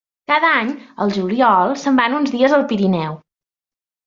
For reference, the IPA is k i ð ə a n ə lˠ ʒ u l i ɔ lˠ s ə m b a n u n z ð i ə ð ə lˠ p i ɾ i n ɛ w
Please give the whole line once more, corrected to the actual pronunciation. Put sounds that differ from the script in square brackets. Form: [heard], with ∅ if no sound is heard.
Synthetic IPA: k [a] ð ə a [ɲ] ə lˠ ʒ u l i ɔ lˠ s ə m b a n u n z ð i ə [z] ə lˠ p i ɾ i n ɛ w